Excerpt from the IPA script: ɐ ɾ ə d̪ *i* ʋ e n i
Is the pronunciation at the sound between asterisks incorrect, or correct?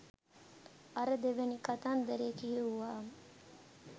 incorrect